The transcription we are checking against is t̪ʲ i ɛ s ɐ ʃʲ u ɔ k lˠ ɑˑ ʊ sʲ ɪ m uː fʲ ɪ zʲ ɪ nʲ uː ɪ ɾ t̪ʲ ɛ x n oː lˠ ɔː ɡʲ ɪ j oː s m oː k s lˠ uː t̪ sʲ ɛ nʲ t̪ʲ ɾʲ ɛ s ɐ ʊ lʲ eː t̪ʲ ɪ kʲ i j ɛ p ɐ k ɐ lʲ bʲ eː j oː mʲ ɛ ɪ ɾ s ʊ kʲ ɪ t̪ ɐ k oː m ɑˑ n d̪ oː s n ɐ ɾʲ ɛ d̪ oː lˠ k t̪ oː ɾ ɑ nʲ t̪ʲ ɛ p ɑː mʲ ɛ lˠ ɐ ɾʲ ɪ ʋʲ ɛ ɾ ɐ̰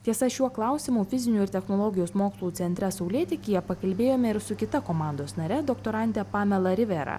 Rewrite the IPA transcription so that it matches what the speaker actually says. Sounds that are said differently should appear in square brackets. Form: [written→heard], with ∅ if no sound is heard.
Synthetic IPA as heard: t̪ʲ i ɛ s ɐ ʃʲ u ɔ k lˠ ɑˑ ʊ sʲ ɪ m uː fʲ ɪ zʲ ɪ nʲ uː ɪ ɾ t̪ʲ ɛ x n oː lˠ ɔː ɡʲ ɪ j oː s m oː k s lˠ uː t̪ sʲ ɛ nʲ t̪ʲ ɾʲ ɛ s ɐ ʊ lʲ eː t̪ʲ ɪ kʲ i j ɛ p ɐ k ɐ lʲ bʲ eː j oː mʲ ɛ ɪ ɾ s ʊ kʲ ɪ t̪ ɐ k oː m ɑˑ n d̪ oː s n ɐ ɾʲ ɛ d̪ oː [lˠ→∅] k t̪ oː ɾ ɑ nʲ t̪ʲ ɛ p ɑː mʲ ɛ lˠ ɐ ɾʲ ɪ ʋʲ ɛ ɾ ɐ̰

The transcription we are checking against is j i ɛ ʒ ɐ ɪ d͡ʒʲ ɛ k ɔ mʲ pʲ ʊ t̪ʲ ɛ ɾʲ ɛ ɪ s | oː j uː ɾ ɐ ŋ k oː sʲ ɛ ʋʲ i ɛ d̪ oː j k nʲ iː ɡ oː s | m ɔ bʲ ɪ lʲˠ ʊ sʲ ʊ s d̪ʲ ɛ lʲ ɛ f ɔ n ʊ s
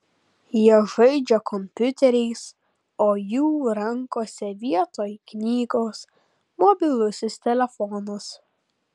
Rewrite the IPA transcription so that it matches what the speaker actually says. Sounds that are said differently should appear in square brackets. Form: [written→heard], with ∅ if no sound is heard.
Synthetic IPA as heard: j i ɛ ʒ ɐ ɪ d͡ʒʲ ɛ k ɔ mʲ pʲ ʊ t̪ʲ ɛ ɾʲ ɛ ɪ s | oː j uː ɾ ɐ ŋ k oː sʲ ɛ ʋʲ i ɛ [d̪→t̪] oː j k nʲ iː ɡ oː s | m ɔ bʲ ɪ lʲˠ ʊ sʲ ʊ s [d̪ʲ→t̪ʲ] ɛ lʲ ɛ f ɔ n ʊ s

